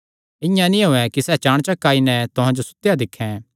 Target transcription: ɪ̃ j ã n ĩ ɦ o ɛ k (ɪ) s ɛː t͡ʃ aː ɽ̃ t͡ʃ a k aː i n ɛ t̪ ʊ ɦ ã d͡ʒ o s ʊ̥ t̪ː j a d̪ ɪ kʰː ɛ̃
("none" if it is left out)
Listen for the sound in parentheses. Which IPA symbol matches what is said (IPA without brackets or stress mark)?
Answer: i